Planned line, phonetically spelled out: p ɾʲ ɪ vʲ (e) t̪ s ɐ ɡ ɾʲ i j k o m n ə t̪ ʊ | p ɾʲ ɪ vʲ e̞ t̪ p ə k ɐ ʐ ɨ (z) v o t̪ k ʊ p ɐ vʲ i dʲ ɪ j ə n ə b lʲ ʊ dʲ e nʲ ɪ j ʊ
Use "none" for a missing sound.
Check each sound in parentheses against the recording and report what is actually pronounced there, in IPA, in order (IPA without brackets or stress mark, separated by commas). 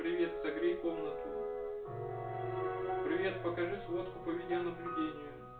e, s